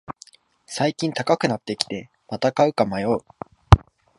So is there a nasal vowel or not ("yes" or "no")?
yes